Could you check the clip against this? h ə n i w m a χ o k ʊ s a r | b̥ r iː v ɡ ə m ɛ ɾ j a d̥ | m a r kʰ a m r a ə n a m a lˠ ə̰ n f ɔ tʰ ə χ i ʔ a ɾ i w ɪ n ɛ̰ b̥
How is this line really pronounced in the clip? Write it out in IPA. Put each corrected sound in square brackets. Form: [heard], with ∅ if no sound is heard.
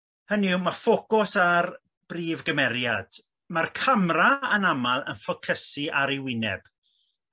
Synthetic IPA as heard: h ə n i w m a [f] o k ʊ s a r | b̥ r iː v ɡ ə m ɛ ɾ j a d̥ | m a r kʰ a m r a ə n a m a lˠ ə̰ n f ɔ [kʰ] ə [s] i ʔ a ɾ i w ɪ n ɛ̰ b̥

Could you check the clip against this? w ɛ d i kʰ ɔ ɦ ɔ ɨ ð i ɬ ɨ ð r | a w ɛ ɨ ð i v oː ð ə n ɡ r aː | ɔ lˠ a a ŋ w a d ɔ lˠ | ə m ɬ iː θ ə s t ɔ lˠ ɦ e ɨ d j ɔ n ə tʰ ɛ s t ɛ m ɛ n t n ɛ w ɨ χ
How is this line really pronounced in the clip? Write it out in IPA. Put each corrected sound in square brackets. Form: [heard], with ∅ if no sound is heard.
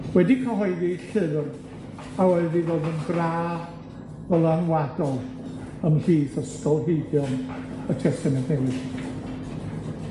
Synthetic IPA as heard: w ɛ d i kʰ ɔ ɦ ɔ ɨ ð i ɬ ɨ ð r | a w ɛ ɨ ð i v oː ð ə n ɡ r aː | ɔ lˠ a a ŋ w a d ɔ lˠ | ə m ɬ iː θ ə s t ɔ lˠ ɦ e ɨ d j ɔ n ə tʰ ɛ s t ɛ m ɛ n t n ɛ w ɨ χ

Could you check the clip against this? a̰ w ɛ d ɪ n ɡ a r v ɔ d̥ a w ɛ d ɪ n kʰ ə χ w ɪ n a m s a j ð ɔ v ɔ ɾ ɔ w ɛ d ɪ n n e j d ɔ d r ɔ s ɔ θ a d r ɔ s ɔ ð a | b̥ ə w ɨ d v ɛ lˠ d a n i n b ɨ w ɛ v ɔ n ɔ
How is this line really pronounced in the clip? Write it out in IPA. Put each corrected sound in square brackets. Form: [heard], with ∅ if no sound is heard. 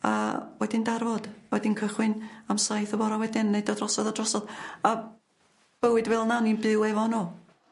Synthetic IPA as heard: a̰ w ɛ d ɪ n [d] a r v ɔ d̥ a w ɛ d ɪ n kʰ ə χ w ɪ n a m s a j [θ] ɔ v ɔ ɾ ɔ w ɛ d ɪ n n e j d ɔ d r ɔ s ɔ [ð] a d r ɔ s ɔ ð a | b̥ ə w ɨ d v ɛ lˠ [n] a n i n b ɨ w ɛ v ɔ n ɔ

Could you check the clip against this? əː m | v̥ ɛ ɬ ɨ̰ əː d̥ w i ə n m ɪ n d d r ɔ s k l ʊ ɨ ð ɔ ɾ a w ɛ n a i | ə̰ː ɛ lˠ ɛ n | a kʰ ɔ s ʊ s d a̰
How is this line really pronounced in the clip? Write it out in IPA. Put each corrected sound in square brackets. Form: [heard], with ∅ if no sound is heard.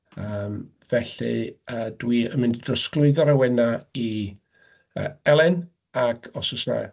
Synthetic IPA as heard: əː m | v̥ ɛ ɬ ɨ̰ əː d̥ w i ə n m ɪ n d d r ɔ s k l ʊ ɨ ð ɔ ɾ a w ɛ n a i | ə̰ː ɛ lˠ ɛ n | a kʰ ɔ s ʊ s [n] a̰

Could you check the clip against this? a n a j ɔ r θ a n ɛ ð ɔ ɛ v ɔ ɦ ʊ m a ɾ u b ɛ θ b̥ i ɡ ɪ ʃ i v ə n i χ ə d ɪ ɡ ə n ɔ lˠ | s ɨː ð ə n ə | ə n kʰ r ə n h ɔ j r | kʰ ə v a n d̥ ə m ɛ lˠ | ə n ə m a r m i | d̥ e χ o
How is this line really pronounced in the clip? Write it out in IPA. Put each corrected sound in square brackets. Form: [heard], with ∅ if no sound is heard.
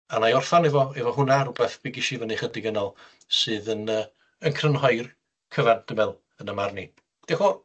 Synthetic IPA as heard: a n a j ɔ r θ a n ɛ [v] ɔ ɛ v ɔ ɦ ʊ [n] a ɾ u b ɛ θ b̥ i ɡ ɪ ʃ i v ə n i χ ə d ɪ ɡ ə n ɔ lˠ | s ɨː ð ə n ə | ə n kʰ r ə n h ɔ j r | kʰ ə v a n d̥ ə m ɛ lˠ | ə n ə m a r [n] i | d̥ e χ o

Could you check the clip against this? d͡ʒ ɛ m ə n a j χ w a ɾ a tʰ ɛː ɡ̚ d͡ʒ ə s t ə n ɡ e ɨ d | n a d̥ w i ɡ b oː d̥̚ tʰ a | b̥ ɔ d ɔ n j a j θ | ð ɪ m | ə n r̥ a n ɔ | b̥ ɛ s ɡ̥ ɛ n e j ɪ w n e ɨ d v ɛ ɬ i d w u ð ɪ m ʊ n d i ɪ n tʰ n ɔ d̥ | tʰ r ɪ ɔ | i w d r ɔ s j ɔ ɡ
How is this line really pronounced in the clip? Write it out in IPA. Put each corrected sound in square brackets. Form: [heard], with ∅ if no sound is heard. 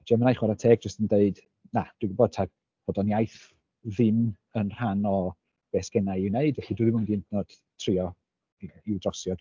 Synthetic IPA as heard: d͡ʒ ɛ m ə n a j χ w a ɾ a tʰ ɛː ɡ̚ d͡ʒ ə s t ə n [d] e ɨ d | n a d̥ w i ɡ b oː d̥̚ tʰ a | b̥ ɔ d ɔ n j a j θ | ð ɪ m | ə n r̥ a n ɔ | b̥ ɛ s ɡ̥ ɛ n [a] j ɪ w n e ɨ d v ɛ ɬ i d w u ð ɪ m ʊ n d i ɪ n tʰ n ɔ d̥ | tʰ r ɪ ɔ | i w d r ɔ s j ɔ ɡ

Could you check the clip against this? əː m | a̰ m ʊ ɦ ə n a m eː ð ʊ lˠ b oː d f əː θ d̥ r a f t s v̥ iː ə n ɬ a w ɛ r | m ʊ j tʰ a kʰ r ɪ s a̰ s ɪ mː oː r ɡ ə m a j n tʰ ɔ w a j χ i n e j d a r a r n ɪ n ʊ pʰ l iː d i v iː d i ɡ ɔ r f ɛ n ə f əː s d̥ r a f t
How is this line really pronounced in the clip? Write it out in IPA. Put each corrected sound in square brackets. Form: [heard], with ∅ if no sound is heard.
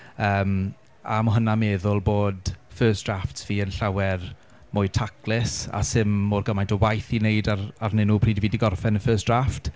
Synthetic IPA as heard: əː m | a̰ m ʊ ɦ ə n a m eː ð ʊ lˠ b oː d f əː [s] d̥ r a f t s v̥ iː ə n ɬ a w ɛ r | m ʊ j tʰ a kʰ [l] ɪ s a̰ s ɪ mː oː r ɡ ə m a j n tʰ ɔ w a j [θ] i n e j d a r a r n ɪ n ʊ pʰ [r] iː d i v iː d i ɡ ɔ r f ɛ n ə f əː s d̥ r a f t

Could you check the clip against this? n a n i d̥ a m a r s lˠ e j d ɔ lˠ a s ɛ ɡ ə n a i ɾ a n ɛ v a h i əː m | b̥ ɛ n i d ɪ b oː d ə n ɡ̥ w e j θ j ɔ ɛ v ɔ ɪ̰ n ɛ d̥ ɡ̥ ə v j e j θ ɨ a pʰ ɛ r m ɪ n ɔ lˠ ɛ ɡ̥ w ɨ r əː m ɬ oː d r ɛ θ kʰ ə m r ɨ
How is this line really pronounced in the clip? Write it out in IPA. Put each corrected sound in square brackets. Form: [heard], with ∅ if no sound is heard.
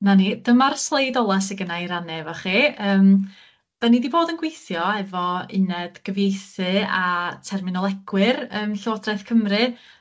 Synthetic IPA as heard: n a n i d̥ [ə] m a r s lˠ e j d ɔ lˠ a s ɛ ɡ ə n a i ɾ a n ɛ v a [χ] i əː m | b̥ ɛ n i d [i] b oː d ə n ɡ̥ w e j θ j ɔ ɛ v ɔ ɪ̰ n ɛ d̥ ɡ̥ ə v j e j θ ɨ a [tʰ] ɛ r m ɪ n ɔ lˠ ɛ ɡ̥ w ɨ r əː m ɬ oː d r ɛ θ kʰ ə m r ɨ

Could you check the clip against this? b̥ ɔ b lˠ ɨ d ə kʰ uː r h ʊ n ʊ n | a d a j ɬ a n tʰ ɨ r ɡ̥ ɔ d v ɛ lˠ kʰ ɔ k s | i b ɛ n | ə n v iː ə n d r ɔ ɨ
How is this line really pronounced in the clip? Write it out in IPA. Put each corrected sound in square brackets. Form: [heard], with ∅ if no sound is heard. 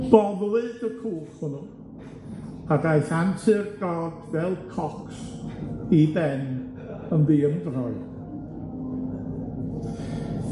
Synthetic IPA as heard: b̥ ɔ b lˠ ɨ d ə kʰ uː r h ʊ n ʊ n | a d a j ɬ a n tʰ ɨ r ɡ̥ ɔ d v ɛ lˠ kʰ ɔ k s | i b ɛ n | ə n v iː ə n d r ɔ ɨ

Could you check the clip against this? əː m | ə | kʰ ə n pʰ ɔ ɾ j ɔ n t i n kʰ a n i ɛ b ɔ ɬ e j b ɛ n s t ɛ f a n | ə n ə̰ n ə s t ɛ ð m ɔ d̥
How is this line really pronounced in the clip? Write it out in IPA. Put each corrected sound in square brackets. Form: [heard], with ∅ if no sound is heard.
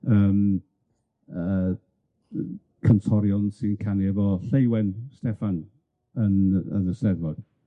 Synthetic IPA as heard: əː m | ə | kʰ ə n [tʰ] ɔ ɾ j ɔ n [s] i n kʰ a n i ɛ [v] ɔ ɬ e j [w] ɛ n s t ɛ f a n | ə n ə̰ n ə s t ɛ ð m ɔ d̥

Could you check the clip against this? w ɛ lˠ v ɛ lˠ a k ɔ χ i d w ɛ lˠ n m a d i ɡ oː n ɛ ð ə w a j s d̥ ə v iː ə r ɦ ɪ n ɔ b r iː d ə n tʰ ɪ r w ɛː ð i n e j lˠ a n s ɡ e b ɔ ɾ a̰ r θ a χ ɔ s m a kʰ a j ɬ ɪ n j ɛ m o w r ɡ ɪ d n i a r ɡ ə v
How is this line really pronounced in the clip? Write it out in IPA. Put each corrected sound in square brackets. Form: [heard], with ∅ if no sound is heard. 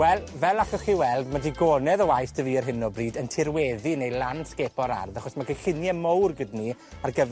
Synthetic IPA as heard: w ɛ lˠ v ɛ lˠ a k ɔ χ i [∅] w ɛ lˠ [d] m a d i ɡ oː n ɛ ð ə w a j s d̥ ə v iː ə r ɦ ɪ n ɔ b r iː d ə n tʰ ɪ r w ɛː ð i n e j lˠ a n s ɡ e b ɔ ɾ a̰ r [ð] a χ ɔ s m a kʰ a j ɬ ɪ n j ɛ m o w r ɡ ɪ d n i a r ɡ ə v

